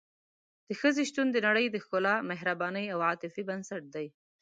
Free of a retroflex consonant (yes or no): no